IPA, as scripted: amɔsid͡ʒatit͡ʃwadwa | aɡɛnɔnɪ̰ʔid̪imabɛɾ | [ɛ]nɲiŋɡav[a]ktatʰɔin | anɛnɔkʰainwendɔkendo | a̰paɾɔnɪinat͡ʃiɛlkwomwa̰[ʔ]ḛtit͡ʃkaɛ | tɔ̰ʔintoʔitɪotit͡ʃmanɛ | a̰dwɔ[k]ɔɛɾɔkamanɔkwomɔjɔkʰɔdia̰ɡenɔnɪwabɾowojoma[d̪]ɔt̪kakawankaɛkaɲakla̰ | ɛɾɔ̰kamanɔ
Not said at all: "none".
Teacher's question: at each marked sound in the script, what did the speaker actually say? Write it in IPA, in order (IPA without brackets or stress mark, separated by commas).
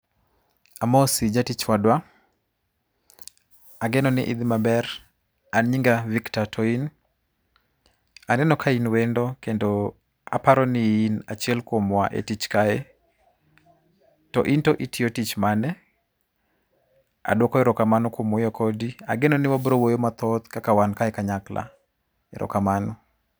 a, i, ʔ, k, t̪